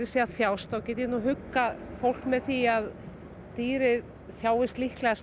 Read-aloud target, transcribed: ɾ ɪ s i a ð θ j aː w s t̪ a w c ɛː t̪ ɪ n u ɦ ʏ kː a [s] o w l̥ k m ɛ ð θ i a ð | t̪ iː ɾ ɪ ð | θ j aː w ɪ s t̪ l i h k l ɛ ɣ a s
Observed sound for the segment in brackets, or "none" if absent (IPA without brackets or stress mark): f